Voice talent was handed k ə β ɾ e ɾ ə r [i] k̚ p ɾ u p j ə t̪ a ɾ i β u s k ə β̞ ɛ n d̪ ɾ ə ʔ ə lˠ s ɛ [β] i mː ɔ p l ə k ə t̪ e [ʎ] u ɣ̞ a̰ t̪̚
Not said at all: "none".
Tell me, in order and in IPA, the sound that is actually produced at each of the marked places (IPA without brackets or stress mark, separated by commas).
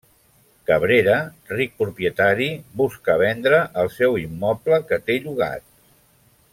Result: i, w, ʎ